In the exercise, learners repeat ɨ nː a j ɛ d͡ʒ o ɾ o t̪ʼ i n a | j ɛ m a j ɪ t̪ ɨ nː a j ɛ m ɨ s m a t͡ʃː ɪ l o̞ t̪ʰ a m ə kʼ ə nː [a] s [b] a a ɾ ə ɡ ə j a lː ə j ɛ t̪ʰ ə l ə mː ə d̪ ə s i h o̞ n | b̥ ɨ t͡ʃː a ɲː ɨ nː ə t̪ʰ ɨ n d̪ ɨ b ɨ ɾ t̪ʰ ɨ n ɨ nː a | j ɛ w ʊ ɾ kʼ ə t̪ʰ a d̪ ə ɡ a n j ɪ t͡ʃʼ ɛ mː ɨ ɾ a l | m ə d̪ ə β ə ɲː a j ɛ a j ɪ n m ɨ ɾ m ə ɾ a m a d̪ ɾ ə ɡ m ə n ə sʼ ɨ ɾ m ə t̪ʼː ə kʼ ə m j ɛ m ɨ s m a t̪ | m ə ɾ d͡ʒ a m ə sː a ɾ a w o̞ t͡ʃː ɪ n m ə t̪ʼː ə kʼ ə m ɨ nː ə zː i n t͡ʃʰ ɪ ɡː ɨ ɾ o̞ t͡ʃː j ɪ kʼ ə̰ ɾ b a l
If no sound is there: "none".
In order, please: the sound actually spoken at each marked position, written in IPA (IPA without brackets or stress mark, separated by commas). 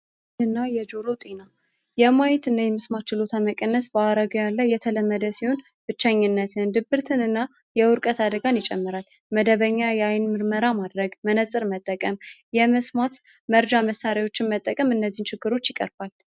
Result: ə, b